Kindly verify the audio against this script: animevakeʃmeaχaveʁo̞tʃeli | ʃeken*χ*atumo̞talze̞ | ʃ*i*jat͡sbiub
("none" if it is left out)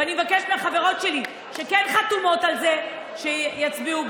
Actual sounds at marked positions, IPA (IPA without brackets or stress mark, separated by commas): χ, e